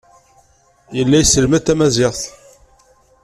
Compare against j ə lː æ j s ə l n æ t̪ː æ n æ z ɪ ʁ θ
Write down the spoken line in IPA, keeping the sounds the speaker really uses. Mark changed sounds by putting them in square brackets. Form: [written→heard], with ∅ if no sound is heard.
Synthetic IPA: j ə lː æ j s ə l [n→m] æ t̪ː æ [n→m] æ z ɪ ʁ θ

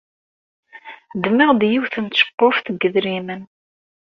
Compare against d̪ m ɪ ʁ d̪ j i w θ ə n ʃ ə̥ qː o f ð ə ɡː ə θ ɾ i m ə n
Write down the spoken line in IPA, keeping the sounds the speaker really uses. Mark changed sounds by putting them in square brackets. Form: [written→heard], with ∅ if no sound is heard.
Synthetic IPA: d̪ m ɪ ʁ d̪ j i w θ ə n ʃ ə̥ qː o f [ð→θ] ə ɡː ə [θ→ð] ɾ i m ə n

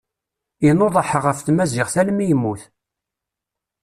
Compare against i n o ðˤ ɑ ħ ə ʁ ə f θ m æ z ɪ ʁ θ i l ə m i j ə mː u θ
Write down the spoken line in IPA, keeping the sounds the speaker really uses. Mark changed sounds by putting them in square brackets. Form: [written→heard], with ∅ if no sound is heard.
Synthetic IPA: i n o ðˤ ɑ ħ ə ʁ ə f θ m æ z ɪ ʁ θ [i→æ] l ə m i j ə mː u θ

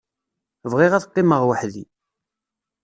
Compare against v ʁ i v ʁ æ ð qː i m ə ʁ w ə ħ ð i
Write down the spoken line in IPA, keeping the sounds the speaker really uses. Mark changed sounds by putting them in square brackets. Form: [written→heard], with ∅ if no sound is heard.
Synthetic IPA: v ʁ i [v→∅] ʁ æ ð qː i m ə ʁ w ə ħ ð i

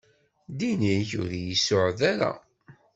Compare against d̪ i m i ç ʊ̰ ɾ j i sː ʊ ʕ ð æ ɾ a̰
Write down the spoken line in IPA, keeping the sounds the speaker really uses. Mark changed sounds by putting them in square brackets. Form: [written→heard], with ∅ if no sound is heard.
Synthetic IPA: d̪ i [m→n] i ç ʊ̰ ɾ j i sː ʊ ʕ ð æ ɾ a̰

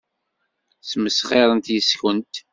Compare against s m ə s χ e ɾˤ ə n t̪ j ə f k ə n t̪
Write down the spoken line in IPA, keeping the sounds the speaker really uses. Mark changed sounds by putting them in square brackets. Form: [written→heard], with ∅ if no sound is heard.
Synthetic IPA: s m ə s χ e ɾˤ ə n t̪ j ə [f→s] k ə n t̪

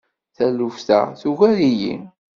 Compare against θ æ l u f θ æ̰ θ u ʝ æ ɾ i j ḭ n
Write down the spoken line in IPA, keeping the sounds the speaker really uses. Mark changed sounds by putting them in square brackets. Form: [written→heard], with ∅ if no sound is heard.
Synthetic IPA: θ æ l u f θ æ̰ θ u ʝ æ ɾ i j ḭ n

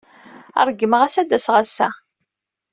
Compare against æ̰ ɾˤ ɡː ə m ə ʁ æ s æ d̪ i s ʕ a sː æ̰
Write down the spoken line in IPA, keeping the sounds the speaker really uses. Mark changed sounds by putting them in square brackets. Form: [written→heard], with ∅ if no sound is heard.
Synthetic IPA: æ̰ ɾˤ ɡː ə m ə ʁ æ s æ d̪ [i→æ] s [ʕ→ʁ] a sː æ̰

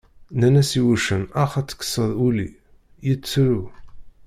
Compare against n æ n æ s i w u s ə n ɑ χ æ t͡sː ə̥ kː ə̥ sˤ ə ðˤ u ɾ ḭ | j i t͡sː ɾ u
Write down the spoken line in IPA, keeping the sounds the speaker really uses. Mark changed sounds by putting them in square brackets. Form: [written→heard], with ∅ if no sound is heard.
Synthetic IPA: n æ n æ s i w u [s→ʃ] ə n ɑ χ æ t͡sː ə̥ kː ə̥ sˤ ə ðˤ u [ɾ→l] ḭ | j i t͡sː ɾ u

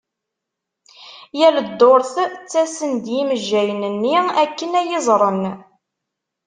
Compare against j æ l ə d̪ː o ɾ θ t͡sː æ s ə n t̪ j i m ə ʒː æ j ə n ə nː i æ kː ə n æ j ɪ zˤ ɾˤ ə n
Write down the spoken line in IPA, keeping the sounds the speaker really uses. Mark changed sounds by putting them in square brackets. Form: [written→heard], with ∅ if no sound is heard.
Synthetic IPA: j æ l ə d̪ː o ɾ θ t͡sː æ s ə n [t̪→d̪] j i m ə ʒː æ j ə n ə nː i æ kː ə n æ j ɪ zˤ ɾˤ ə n

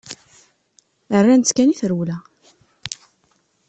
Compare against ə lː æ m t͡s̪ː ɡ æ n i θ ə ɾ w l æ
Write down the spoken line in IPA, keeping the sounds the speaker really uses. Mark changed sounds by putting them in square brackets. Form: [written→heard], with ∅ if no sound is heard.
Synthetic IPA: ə [lː→rː] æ [m→n] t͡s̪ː [ɡ→k] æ n i θ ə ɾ w l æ

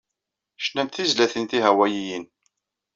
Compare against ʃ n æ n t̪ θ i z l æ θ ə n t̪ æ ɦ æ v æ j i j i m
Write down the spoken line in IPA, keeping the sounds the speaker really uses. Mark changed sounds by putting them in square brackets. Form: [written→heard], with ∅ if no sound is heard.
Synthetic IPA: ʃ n æ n t̪ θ i z l æ θ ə n t̪ [æ→i] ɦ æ [v→w] æ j i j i [m→n]

